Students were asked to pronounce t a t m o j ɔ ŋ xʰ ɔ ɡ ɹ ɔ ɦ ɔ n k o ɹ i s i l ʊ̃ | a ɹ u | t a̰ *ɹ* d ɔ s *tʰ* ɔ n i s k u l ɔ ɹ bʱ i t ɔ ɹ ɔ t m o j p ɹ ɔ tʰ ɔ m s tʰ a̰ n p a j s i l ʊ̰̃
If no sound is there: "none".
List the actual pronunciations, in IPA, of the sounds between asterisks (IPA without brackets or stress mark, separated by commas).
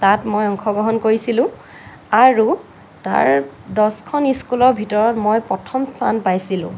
ɹ, kʰ